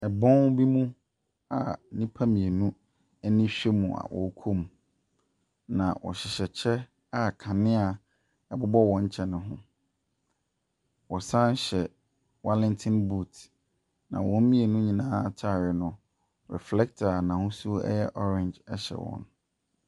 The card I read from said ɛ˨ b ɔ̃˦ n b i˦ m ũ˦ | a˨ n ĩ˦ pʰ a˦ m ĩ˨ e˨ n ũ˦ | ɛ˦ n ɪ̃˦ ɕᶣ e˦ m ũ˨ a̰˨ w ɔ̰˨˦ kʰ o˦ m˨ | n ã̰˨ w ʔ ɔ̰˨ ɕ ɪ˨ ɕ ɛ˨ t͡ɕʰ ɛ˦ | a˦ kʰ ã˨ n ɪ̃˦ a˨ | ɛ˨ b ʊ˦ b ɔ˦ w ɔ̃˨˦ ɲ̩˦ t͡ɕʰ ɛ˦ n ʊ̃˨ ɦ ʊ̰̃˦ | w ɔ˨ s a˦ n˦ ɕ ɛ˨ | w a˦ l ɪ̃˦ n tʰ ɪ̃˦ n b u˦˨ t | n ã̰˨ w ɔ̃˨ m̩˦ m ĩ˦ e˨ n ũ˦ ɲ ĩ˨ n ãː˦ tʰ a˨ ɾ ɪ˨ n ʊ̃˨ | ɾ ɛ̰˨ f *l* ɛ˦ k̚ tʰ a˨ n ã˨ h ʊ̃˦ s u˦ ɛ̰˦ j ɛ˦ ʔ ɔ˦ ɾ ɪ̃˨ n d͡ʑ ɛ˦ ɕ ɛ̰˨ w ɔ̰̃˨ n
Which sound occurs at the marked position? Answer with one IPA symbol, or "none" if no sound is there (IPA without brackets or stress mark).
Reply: l